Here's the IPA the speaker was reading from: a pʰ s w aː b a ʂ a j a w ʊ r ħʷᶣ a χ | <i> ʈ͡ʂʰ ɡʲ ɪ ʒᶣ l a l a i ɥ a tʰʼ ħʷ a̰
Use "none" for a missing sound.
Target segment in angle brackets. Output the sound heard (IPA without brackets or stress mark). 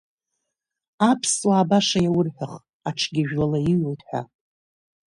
a